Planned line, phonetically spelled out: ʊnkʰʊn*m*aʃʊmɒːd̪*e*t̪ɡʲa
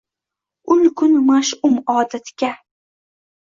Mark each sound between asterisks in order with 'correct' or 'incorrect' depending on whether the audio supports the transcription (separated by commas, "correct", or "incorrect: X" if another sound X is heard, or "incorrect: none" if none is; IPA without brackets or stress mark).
correct, incorrect: a